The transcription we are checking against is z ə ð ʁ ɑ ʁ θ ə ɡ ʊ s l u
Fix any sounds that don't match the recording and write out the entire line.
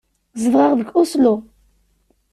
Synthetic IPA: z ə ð ʁ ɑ ʁ ð ə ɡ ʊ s l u